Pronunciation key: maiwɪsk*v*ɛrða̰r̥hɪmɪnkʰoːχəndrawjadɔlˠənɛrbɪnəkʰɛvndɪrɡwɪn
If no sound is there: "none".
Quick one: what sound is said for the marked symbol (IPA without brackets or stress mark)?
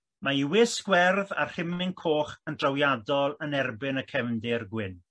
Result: w